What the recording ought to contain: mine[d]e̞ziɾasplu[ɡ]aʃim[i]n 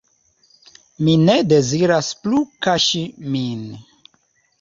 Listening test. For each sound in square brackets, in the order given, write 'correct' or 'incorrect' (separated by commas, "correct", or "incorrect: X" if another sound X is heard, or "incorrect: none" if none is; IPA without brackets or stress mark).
correct, incorrect: k, correct